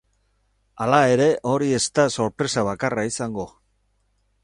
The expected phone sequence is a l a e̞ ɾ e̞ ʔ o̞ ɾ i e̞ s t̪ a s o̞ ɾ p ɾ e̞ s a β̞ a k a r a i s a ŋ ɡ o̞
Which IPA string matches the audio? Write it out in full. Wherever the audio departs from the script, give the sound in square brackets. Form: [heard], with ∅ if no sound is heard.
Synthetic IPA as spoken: a l a e̞ ɾ e̞ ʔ o̞ ɾ i e̞ s t̪ a s o̞ ɾ p ɾ e̞ s a β̞ a k a r a i s a ŋ ɡ o̞